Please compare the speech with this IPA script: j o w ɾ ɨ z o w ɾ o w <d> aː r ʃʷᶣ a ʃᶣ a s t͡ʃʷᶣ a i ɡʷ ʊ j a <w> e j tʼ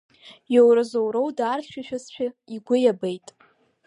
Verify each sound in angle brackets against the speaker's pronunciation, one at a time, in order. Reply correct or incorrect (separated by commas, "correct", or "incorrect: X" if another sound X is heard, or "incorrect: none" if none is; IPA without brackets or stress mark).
correct, incorrect: b